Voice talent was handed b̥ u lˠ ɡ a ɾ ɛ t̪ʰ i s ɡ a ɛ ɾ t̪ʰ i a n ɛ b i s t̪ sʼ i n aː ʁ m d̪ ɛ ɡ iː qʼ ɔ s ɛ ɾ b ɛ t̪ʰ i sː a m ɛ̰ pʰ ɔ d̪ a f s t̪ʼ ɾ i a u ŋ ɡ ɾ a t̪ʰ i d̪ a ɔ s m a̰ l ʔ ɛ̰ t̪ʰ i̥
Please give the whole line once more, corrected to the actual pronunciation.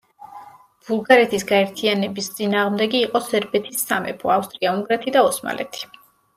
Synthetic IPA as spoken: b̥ u lˠ ɡ a ɾ ɛ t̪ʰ i s ɡ a ɛ ɾ t̪ʰ i a n ɛ b i s t̪ sʼ i n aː ʁ m d̪ ɛ ɡ iː qʼ ɔ s ɛ ɾ b ɛ t̪ʰ i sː a m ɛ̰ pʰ ɔ a f s t̪ʼ ɾ i a u ŋ ɡ ɾ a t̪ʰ i d̪ a ɔ s m a̰ l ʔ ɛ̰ t̪ʰ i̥